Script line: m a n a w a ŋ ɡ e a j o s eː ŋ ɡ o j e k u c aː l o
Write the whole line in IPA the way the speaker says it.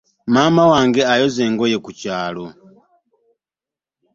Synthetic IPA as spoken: m a m a w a ŋ ɡ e a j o z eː ŋ ɡ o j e k u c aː l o

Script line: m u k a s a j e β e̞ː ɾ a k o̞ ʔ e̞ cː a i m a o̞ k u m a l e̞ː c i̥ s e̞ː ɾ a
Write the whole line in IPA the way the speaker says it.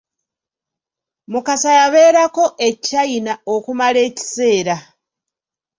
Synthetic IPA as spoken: m u k a s a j a β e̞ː ɾ a k o̞ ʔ e̞ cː a i n a o̞ k u m a l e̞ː c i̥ s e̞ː ɾ a

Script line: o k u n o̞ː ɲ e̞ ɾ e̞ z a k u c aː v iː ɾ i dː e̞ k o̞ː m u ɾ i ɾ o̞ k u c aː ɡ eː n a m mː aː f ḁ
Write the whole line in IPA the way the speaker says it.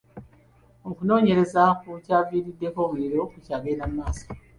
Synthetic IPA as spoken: o k u n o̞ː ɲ e̞ ɾ e̞ z a k u c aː v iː ɾ i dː e̞ k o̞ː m u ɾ i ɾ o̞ k u c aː ɡ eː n a m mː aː s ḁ

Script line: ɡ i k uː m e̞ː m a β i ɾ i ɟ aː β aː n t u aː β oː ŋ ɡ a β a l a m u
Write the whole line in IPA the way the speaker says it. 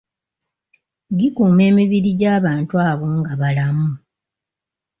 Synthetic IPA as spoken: ɡ i k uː m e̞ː m i β i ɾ i ɟ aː β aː n t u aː β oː ŋ ɡ a β a l a m u

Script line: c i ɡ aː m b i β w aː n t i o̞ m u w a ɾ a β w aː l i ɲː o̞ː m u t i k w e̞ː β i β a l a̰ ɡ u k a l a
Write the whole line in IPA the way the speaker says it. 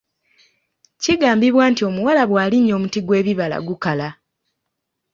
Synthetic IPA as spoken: c i ɡ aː m b i β w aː n t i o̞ m u w a l a β w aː l i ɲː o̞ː m u t i ɡ w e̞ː β i β a l a̰ ɡ u k a l a

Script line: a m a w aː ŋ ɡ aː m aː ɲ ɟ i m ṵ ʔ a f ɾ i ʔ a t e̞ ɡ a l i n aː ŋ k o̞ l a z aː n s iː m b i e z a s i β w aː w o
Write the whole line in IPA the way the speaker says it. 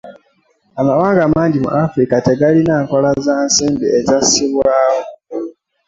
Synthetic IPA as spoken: a m a w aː ŋ ɡ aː m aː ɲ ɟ i m ṵ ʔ a f ɾ i k a t e̞ ɡ a l i n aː ŋ k o̞ l a z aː n s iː m b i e z a s i β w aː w o

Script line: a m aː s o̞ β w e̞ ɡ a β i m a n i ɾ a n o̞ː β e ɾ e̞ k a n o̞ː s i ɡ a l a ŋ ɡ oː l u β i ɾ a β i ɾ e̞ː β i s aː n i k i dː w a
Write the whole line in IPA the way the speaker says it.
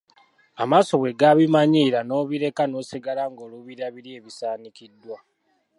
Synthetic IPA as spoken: a m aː s o̞ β w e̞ ɡ a β i m a ɲ i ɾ a n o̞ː β i ɾ e̞ k a n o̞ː s i ɡ a l a ŋ ɡ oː l u β i ɾ a β i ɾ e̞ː β i s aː n i k i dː w a

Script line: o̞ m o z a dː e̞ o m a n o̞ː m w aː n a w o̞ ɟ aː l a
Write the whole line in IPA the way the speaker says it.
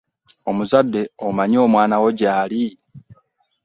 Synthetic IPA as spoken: o̞ m u z a dː e̞ o m a ɲ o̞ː m w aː n a w o̞ ɟ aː l i

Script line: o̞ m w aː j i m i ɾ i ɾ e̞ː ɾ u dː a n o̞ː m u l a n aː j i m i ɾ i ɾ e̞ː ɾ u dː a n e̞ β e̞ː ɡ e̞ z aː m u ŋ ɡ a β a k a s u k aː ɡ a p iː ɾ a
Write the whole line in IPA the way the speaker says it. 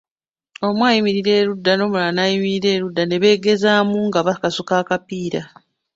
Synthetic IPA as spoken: o̞ m w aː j i m i ɾ i ɾ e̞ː ɾ u dː a n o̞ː m u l a n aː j i m i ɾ i ɾ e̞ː ɾ u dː a n e̞ β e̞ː ɡ e̞ z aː m u ŋ ɡ a β a k a s u k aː k a p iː ɾ a

